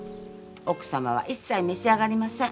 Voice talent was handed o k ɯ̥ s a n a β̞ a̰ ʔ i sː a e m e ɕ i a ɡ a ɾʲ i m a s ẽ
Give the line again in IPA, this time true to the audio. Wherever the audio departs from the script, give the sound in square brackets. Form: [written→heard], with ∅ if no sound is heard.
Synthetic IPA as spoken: o k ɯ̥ s a [n→m] a β̞ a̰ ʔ i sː a [e→i] m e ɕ i a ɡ a ɾʲ i m a s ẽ